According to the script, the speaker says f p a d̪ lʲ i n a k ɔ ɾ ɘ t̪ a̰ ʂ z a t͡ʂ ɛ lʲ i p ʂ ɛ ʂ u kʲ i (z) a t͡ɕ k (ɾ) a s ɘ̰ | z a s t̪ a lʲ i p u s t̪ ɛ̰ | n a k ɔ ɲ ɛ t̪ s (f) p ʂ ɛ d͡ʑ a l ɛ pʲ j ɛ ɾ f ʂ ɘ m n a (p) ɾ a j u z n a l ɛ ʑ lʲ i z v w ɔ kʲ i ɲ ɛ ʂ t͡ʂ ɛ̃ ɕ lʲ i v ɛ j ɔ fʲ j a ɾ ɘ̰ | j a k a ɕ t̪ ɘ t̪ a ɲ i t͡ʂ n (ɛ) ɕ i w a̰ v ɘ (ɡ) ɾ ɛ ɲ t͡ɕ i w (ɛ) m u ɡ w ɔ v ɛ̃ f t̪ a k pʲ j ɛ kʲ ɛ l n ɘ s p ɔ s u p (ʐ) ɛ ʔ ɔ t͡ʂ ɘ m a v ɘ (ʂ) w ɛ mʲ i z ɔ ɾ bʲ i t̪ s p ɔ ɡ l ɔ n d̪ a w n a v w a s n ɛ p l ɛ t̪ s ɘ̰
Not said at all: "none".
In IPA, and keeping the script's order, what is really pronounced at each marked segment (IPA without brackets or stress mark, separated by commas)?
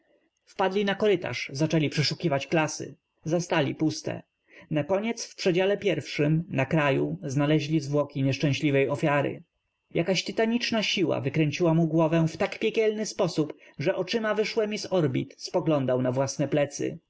v, l, f, k, a, k, a, ʐ, ʂ